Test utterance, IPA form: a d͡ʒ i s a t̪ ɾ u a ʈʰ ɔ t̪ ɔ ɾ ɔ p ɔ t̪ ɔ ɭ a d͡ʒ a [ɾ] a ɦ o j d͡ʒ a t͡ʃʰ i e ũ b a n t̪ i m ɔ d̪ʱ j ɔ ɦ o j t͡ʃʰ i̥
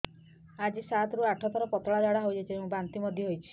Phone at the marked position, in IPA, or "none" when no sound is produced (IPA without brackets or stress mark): ɽ